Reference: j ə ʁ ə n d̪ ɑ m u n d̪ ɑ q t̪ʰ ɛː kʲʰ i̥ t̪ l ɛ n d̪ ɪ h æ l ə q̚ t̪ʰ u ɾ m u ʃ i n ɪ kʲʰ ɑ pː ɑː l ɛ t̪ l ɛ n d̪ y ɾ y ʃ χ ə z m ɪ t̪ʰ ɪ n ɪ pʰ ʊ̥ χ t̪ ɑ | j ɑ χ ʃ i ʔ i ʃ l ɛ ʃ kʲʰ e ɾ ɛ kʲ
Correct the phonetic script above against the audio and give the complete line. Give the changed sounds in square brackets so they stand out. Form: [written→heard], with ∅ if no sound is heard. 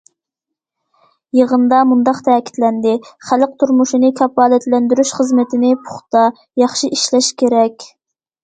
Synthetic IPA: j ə ʁ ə n d̪ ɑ m u n d̪ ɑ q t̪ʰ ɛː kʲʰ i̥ t̪ l ɛ n d̪ ɪ [h→χ] æ l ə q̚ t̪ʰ u ɾ m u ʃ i n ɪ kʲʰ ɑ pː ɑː l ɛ t̪ l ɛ n d̪ y ɾ y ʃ χ ə z m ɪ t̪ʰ ɪ n ɪ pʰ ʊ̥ χ t̪ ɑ | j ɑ χ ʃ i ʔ i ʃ l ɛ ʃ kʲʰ e ɾ ɛ kʲ